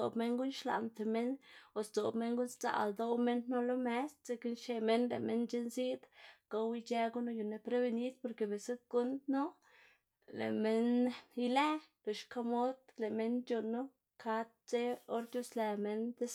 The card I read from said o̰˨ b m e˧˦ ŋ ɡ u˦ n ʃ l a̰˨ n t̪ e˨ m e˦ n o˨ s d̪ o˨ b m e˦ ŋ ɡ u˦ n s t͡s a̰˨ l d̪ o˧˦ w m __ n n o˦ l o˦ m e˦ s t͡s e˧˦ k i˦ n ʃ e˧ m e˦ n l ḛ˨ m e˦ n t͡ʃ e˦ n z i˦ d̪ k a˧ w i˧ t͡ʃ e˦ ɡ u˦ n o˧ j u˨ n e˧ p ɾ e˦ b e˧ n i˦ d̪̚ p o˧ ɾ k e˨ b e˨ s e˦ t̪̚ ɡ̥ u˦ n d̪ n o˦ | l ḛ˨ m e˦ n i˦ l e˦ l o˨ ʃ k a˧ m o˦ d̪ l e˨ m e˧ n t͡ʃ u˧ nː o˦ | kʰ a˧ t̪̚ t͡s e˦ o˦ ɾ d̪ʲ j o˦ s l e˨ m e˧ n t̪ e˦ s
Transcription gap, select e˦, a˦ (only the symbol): e˦